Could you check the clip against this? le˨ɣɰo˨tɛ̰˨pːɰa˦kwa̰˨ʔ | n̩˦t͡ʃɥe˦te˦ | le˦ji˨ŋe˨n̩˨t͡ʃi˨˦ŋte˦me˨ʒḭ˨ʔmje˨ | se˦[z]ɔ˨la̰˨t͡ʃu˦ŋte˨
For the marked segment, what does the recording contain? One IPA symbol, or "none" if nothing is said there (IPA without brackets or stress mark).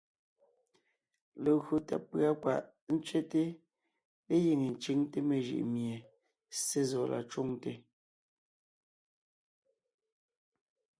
z